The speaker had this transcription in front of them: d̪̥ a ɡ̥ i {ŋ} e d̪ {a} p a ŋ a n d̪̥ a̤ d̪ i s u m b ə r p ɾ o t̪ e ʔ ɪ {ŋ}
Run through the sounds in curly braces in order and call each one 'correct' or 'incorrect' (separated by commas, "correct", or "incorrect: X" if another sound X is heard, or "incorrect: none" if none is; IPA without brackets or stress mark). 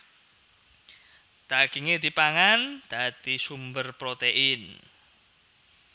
correct, incorrect: i, incorrect: n